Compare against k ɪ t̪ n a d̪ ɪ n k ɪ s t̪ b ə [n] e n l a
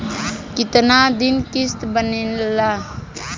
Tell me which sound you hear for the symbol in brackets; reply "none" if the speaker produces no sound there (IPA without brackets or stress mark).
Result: n